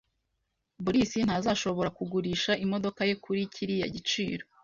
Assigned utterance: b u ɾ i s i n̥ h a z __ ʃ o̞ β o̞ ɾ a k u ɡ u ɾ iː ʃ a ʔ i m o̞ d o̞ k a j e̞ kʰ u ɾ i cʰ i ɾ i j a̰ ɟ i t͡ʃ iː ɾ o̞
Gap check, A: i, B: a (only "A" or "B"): B